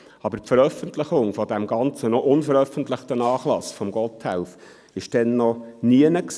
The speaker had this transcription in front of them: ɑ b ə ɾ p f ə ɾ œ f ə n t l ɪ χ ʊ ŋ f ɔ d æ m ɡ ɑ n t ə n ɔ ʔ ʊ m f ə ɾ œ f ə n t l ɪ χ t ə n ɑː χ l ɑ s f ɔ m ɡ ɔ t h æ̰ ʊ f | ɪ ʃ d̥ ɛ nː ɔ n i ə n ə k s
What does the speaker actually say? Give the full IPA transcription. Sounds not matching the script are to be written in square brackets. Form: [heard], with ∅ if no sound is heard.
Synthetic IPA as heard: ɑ b ə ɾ p f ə ɾ œ f ə n t l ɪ χ ʊ ŋ f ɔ d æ m ɡ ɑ n [t͡s] ə n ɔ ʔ ʊ [n] f ə ɾ œ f ə n t l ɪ χ t ə n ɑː χ l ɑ s f ɔ m ɡ ɔ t h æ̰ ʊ f | ɪ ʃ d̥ ɛ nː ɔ n i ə n ə k s